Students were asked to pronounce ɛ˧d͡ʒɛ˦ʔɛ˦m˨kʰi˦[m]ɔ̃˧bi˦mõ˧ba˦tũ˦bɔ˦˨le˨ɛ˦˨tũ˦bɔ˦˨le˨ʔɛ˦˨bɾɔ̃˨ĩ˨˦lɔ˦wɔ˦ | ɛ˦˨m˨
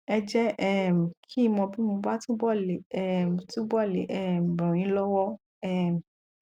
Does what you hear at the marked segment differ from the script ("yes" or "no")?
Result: no